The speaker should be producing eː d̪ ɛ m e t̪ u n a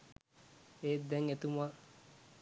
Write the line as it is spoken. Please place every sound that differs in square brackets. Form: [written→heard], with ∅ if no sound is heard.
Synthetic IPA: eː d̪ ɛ [m→ŋ] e t̪ u [n→m] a